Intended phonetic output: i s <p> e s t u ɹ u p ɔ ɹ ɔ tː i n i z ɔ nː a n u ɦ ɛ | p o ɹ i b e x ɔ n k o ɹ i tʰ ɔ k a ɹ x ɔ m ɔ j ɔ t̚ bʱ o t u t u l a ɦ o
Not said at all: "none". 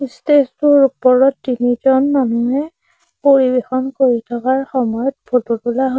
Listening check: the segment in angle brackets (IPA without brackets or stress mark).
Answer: t